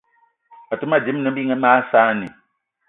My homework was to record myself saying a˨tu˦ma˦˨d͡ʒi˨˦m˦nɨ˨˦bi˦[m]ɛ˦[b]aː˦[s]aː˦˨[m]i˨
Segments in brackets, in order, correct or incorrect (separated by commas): incorrect, incorrect, correct, incorrect